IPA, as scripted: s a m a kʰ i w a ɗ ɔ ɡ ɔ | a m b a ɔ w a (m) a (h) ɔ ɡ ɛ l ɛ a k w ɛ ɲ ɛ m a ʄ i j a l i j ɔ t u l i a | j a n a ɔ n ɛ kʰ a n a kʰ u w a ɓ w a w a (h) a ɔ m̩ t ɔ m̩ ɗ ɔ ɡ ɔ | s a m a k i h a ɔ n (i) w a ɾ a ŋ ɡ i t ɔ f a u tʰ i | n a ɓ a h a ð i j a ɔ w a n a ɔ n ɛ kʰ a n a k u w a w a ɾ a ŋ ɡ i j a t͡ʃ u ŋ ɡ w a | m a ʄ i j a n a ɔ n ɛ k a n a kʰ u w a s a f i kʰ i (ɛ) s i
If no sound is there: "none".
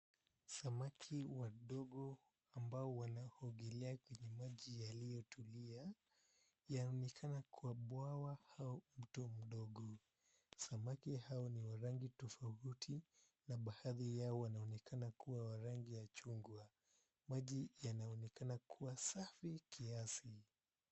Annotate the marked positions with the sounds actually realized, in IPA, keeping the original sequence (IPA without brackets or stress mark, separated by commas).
n, h, h, i, a